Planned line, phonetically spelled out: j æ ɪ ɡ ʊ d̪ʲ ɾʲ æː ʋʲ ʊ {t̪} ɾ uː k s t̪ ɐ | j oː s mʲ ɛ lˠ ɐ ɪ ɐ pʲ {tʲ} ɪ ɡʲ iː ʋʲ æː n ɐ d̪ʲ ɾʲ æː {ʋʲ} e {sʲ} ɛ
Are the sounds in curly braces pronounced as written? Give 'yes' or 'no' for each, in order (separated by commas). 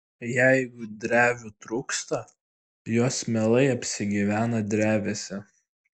yes, no, yes, yes